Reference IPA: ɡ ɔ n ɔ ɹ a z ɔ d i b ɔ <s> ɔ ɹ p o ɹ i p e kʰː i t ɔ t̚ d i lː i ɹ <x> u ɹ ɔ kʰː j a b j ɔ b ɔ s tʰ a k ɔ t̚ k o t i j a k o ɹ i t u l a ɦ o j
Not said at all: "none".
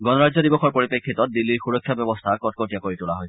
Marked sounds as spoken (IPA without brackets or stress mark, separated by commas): x, x